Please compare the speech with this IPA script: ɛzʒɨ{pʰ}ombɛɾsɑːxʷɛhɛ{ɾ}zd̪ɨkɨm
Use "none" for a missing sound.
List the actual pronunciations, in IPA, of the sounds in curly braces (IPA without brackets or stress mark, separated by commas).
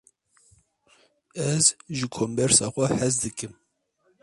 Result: kʰ, none